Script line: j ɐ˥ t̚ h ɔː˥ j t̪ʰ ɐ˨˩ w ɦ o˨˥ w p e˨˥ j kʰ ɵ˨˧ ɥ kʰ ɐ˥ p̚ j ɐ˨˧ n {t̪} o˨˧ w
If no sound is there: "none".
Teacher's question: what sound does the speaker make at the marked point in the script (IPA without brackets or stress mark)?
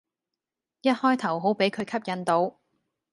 t̪